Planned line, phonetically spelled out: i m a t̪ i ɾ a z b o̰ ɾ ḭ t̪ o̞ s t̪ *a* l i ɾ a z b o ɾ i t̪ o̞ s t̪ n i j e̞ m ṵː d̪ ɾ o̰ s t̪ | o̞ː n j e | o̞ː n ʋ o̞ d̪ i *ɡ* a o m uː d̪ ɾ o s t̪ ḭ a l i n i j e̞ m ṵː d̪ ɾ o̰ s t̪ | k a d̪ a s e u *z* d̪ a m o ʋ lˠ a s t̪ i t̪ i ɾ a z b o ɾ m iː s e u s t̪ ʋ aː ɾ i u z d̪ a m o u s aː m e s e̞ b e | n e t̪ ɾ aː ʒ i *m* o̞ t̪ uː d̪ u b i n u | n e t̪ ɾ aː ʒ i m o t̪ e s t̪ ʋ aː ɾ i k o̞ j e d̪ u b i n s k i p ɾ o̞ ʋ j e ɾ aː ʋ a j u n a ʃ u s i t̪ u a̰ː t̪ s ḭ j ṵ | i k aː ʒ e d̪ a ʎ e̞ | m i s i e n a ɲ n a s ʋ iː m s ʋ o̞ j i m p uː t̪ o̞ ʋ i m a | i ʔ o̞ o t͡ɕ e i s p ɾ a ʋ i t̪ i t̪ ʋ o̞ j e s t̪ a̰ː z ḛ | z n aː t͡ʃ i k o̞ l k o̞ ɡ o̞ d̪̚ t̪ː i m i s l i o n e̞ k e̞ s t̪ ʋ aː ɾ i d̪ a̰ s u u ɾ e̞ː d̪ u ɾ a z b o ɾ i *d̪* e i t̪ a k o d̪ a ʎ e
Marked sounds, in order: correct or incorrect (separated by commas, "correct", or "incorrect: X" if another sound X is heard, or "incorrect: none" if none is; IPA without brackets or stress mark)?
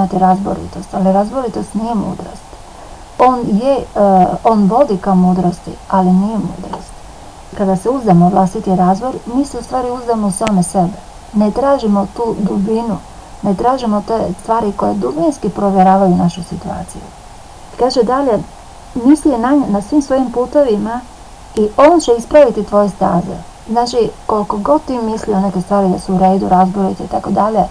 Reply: correct, incorrect: k, correct, correct, incorrect: t̪